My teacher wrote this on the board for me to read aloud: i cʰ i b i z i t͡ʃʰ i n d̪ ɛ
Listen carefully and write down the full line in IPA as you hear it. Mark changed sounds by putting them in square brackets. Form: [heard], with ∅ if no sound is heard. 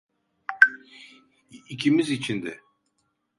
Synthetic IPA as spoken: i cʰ i [m] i z i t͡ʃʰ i n d̪ ɛ